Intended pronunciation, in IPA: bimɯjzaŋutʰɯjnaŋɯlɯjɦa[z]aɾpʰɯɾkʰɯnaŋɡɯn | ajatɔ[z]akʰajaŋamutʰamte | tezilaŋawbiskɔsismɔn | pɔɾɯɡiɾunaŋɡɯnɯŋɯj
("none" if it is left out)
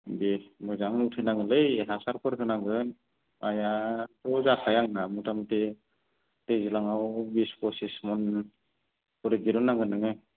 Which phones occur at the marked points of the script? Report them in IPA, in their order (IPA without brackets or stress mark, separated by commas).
s, z